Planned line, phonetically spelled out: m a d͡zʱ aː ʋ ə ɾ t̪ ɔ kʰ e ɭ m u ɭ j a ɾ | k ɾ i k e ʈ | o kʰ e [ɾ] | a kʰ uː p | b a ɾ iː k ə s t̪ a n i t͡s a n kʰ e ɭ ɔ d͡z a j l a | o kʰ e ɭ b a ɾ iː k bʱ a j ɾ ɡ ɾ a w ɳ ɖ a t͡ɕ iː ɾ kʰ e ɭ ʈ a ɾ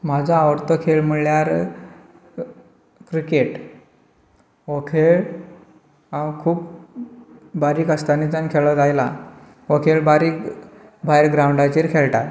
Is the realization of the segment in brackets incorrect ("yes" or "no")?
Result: yes